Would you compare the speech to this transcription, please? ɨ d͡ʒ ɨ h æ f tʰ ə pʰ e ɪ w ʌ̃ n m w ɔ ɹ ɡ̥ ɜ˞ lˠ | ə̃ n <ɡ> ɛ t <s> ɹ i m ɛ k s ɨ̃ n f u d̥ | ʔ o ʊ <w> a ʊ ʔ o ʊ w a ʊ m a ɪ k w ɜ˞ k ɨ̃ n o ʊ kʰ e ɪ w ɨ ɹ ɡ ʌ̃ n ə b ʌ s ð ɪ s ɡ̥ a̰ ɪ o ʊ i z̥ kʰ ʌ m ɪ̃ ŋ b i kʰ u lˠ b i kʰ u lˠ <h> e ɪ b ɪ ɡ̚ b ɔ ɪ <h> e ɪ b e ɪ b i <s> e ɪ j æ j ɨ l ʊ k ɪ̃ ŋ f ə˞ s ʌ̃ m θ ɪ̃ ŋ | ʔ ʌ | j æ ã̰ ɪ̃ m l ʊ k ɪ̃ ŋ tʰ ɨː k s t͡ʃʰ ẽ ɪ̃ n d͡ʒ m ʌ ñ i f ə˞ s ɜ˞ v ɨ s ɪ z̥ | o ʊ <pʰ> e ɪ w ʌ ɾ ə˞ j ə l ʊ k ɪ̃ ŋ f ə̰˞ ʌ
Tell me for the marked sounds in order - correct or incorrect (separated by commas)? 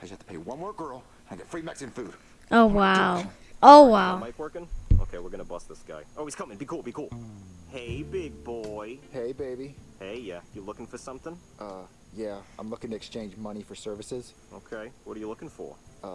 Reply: correct, incorrect, correct, correct, correct, incorrect, incorrect